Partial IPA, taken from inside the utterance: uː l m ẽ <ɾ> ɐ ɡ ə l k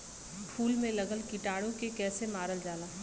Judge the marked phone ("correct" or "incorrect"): incorrect